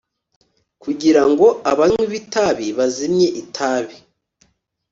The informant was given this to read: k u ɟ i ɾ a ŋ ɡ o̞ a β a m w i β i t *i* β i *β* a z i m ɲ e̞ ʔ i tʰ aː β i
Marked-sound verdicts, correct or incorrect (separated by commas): incorrect, correct